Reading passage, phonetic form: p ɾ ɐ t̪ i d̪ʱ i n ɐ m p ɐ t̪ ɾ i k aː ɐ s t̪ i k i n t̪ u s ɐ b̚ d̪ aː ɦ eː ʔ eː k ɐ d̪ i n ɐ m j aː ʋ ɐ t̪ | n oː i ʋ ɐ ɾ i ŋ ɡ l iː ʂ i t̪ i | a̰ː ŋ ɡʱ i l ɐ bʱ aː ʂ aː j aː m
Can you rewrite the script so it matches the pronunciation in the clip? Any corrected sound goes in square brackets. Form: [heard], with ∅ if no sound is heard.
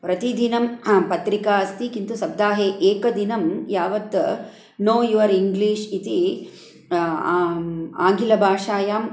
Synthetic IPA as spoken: p ɾ ɐ t̪ i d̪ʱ i n ɐ m p ɐ t̪ ɾ i k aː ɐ s t̪ i k i n t̪ u s ɐ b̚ d̪ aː ɦ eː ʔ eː k ɐ d̪ i n ɐ m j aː ʋ ɐ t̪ | n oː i ʋ ɐ ɾ i ŋ ɡ l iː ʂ i t̪ i | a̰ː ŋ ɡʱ i l ɐ bʱ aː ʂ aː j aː m

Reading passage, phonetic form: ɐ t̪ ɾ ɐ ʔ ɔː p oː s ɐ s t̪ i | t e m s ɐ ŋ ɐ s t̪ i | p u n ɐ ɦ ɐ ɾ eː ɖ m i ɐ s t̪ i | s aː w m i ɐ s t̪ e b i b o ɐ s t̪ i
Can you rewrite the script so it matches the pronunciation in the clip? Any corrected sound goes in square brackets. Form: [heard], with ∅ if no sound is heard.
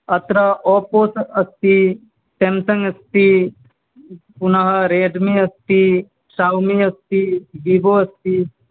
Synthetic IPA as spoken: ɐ t̪ ɾ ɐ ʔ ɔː p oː s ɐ s t̪ i | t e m s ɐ ŋ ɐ s t̪ i | p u n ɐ ɦ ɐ ɾ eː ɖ m i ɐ s t̪ i | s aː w m i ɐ s t̪ [i] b i b o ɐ s t̪ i

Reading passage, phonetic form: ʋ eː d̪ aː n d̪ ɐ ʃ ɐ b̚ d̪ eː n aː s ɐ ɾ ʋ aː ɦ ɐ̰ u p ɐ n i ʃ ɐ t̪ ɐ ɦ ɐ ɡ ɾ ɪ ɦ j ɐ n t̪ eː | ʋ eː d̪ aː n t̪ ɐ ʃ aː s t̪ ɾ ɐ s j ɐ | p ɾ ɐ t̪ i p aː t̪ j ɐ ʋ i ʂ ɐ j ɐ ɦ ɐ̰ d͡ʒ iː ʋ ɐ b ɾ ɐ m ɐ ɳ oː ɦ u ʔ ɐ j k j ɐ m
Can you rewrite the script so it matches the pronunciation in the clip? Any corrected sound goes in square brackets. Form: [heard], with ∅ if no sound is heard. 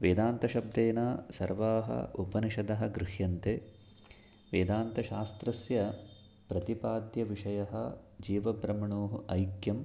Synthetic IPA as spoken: ʋ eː d̪ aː n [t̪] ɐ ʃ ɐ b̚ d̪ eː n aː s ɐ ɾ ʋ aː ɦ ɐ̰ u p ɐ n i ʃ ɐ [d̪] ɐ ɦ ɐ ɡ ɾ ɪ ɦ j ɐ n t̪ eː | ʋ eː d̪ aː n t̪ ɐ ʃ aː s t̪ ɾ ɐ s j ɐ | p ɾ ɐ t̪ i p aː [d̪] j ɐ ʋ i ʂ ɐ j ɐ ɦ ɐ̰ d͡ʒ iː ʋ ɐ b ɾ ɐ m ɐ ɳ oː ɦ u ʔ ɐ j k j ɐ m

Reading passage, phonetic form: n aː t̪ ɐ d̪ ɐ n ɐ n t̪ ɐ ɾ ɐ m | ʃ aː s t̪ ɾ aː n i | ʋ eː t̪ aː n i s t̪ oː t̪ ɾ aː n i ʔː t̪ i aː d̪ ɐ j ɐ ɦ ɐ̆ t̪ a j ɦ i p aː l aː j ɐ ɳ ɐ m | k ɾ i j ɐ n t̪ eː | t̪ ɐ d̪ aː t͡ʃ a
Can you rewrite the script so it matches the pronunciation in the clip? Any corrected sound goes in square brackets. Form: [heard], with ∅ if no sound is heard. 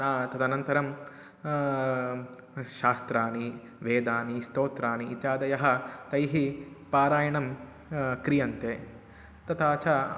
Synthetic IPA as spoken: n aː t̪ ɐ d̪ ɐ n ɐ n t̪ ɐ ɾ ɐ m | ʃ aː s t̪ ɾ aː n i | ʋ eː [d̪] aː n i s t̪ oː t̪ ɾ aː n i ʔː t̪ [j] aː d̪ ɐ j ɐ ɦ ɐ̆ t̪ [ɐ] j ɦ i p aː [ɾ] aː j ɐ ɳ ɐ m | k ɾ i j ɐ n t̪ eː | t̪ ɐ [t̪] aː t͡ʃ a

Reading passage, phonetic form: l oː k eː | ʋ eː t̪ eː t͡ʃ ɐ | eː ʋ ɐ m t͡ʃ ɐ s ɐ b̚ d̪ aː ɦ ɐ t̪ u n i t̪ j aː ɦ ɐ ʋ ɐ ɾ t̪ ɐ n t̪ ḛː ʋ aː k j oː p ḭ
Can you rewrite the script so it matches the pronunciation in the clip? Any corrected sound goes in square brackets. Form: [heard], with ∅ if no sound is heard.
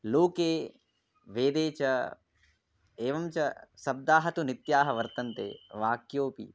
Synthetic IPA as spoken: l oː k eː | ʋ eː [d̪] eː t͡ʃ ɐ | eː ʋ ɐ m t͡ʃ ɐ s ɐ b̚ d̪ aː ɦ ɐ t̪ u n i t̪ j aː ɦ ɐ ʋ ɐ ɾ t̪ ɐ n t̪ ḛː ʋ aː k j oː p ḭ

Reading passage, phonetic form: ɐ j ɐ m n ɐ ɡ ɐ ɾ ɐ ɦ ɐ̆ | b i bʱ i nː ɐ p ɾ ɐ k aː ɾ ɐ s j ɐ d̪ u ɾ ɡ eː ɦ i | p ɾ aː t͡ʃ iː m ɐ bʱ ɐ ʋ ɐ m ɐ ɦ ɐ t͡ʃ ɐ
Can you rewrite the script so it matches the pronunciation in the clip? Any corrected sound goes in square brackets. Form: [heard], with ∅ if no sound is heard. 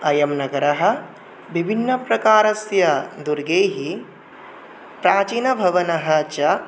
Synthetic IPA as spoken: ɐ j ɐ m n ɐ ɡ ɐ ɾ ɐ ɦ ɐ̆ | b i bʱ i nː ɐ p ɾ ɐ k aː ɾ ɐ s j ɐ d̪ u ɾ ɡ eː ɦ i | p ɾ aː t͡ʃ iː [n] ɐ bʱ ɐ ʋ ɐ [n] ɐ ɦ ɐ t͡ʃ ɐ

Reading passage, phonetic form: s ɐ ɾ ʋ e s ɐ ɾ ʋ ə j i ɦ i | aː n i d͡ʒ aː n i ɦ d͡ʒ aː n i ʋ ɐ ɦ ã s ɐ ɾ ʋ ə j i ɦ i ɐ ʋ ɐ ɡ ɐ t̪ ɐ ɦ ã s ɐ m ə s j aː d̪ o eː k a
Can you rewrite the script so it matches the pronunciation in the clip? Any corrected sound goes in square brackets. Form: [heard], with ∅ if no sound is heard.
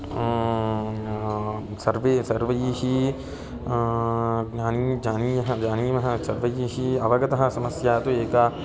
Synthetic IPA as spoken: s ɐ ɾ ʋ e s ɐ ɾ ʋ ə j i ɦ i | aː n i d͡ʒ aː n i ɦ d͡ʒ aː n i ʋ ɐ ɦ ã s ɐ ɾ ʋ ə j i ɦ i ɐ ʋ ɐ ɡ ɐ t̪ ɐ ɦ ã s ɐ m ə s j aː [t̪] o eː k a

